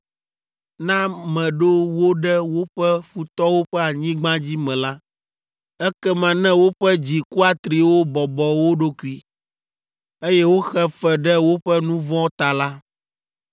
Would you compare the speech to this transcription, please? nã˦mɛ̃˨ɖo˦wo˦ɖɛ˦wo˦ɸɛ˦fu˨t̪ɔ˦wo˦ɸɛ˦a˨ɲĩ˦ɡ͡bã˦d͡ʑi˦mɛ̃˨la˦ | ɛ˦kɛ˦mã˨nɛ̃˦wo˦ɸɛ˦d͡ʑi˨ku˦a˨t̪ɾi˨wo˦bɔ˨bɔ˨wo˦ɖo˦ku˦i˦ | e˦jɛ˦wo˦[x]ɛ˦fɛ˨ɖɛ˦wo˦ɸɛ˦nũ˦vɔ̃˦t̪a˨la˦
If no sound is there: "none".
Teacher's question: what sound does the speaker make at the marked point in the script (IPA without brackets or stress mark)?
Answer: x